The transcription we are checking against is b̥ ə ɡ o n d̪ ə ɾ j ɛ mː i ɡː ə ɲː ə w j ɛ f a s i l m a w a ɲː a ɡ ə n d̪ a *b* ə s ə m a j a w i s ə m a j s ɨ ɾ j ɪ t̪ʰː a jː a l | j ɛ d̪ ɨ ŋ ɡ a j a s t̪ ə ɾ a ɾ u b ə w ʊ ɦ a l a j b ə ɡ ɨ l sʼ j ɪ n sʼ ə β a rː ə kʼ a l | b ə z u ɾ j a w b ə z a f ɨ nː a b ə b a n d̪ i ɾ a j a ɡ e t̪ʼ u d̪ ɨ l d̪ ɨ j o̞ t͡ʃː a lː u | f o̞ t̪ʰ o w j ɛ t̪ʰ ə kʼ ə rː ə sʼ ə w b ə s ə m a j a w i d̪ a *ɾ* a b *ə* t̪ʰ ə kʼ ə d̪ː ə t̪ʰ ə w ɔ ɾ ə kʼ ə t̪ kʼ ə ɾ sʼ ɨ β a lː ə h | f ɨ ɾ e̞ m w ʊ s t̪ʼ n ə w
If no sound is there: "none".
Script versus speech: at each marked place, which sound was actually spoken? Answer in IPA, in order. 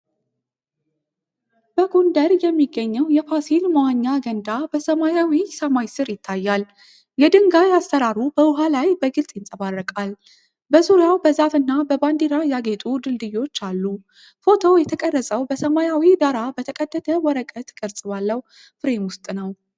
b, ɾ, ə

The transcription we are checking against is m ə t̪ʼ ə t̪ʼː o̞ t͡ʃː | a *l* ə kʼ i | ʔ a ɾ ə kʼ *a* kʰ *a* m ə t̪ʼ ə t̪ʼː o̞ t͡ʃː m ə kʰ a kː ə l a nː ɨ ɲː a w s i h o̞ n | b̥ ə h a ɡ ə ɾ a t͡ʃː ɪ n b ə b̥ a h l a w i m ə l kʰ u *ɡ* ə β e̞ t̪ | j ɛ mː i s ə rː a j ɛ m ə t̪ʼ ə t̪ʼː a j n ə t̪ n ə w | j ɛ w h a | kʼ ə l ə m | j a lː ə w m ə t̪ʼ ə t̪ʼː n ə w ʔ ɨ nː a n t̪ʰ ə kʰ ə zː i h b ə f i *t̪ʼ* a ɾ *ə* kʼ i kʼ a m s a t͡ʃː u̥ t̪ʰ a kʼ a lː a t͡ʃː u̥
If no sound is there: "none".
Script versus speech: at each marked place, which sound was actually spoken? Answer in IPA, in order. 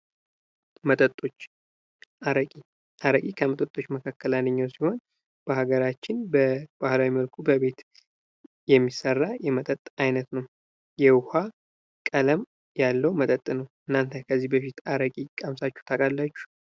ɾ, i, ə, b, t̪, ə

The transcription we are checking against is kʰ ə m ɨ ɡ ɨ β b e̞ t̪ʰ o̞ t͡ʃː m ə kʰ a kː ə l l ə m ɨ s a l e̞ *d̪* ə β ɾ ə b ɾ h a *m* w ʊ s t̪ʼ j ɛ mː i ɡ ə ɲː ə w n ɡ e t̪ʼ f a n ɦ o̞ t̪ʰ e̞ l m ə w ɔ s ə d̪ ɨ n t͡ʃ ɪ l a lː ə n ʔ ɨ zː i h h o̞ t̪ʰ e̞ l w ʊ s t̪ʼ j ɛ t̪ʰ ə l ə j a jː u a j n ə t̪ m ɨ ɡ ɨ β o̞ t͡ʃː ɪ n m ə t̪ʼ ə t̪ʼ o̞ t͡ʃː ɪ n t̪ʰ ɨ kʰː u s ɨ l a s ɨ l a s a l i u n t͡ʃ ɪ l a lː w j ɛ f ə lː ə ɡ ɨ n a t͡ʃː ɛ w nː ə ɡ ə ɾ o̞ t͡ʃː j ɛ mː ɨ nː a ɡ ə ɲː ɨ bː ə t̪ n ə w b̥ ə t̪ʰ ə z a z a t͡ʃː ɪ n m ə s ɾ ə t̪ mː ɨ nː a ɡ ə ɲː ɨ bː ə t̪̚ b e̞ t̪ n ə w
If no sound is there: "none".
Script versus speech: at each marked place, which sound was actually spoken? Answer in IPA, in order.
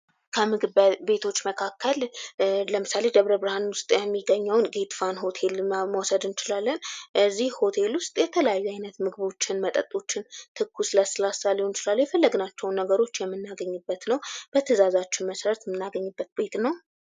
d̪, n

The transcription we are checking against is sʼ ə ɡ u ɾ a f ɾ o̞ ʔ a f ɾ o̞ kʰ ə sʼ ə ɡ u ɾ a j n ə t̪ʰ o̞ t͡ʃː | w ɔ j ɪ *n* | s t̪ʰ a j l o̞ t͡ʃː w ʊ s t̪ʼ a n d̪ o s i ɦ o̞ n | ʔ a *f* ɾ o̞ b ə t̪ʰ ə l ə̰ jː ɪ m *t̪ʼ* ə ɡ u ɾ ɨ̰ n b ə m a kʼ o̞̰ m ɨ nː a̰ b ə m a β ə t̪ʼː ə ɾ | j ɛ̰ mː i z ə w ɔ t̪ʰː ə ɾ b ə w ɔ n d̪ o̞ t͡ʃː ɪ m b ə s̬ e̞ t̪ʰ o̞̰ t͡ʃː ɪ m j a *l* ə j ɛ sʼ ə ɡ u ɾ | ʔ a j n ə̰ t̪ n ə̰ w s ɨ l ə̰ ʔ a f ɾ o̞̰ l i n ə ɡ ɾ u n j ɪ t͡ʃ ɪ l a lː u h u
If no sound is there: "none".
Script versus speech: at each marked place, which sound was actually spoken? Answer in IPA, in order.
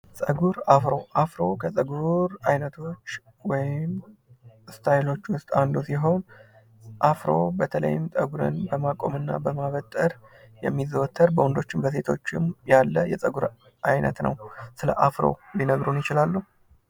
m, f, t̪ʼ, lː

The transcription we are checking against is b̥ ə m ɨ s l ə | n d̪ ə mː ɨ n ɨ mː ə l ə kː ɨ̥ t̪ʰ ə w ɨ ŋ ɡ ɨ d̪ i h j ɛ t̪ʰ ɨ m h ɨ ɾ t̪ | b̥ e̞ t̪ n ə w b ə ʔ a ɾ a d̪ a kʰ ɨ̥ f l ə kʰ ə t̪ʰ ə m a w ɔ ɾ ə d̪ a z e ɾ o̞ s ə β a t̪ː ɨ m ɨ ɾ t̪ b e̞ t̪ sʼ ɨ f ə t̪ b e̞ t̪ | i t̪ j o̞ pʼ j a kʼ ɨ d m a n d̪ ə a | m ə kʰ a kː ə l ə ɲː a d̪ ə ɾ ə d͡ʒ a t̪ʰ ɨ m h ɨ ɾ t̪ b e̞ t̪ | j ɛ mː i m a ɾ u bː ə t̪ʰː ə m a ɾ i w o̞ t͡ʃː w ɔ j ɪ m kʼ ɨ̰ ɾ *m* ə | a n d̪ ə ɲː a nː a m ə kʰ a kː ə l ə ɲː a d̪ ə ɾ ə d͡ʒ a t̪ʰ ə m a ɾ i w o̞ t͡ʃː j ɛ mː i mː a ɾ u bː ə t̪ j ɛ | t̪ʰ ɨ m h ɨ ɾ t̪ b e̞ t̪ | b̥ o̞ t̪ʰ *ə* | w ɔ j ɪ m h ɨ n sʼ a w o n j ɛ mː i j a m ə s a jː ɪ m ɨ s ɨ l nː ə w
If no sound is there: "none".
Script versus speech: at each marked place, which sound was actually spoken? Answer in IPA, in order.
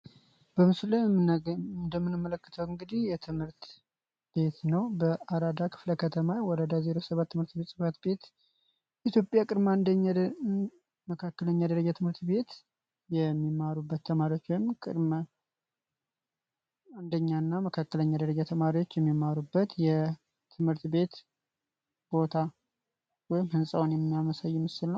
m, a

